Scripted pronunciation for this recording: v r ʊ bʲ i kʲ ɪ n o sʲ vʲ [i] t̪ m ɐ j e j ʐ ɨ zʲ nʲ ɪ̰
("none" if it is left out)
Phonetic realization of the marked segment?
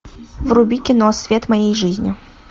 e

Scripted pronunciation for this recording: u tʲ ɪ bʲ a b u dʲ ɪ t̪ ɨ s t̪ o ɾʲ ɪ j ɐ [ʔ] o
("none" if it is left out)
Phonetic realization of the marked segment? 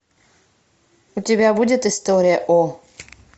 ʔ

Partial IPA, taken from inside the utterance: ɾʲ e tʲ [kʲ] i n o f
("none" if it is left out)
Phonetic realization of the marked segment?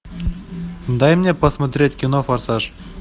kʲ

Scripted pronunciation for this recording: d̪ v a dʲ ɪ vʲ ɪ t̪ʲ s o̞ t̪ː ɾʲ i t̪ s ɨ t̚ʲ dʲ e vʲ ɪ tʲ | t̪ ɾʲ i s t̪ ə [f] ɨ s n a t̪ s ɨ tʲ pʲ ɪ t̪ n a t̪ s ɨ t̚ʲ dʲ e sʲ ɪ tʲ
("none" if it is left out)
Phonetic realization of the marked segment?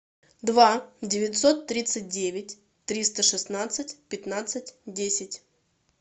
ʂ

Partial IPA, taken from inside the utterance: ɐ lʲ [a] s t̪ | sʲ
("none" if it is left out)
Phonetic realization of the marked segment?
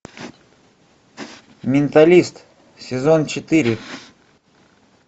i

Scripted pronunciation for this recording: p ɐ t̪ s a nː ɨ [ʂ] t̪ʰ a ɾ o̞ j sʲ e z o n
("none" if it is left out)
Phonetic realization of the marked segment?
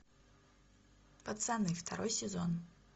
f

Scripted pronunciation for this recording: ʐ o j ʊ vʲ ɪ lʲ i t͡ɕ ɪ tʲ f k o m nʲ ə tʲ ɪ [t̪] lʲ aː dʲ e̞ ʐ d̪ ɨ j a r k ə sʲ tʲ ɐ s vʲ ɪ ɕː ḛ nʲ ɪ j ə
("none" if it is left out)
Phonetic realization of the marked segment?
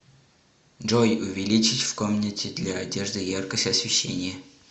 d̪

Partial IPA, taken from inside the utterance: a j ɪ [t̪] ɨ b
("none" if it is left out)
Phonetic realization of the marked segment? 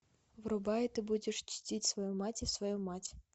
t̪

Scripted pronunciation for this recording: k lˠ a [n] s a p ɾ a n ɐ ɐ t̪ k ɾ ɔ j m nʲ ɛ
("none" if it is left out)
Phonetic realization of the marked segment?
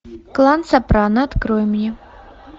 n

